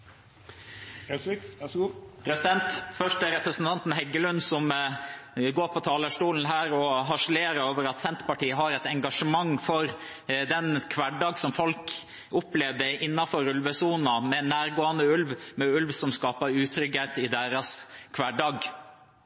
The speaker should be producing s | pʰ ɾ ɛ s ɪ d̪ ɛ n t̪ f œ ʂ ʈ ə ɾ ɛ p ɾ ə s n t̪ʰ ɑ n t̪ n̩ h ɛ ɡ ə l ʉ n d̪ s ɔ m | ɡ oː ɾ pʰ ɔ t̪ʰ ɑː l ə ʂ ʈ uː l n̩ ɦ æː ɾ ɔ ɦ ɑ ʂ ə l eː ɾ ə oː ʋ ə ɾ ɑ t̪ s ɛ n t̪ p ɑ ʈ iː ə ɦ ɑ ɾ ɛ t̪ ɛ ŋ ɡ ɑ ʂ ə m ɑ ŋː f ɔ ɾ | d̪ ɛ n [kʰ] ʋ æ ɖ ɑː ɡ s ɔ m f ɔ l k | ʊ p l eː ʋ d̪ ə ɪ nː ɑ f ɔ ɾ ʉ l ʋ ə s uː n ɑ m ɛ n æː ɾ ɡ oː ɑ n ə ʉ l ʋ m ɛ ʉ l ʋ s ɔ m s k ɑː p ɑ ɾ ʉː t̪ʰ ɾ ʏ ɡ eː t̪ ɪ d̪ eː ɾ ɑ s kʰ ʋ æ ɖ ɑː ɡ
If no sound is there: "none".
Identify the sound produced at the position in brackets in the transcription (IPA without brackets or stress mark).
kʰ